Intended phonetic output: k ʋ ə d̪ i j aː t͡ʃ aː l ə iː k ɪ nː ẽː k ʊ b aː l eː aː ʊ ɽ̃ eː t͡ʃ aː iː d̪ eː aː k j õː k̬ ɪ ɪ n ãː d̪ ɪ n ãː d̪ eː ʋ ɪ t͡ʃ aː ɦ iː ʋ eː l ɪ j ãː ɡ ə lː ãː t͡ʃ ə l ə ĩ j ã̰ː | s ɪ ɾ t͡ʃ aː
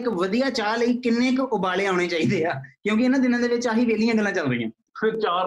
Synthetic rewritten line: k ʋ ə d̪ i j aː t͡ʃ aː l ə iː k ɪ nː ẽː k ʊ b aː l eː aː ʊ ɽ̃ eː t͡ʃ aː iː d̪ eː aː k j õː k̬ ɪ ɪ n ãː d̪ ɪ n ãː d̪ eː ʋ ɪ t͡ʃ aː ɦ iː ʋ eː l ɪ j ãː ɡ ə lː ãː t͡ʃ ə l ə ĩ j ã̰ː | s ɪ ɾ t͡ʃ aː